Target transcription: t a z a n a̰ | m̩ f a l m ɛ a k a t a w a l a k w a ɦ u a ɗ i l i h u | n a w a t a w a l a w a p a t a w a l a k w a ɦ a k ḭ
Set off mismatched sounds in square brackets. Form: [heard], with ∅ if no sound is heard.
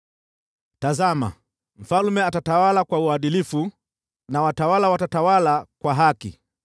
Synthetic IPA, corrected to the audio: t a z a [m] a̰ | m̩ f a l m ɛ a [t] a t a w a l a k w a [∅] u a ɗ i l i [f] u | n a w a t a w a l a w a [t] a t a w a l a k w a ɦ a k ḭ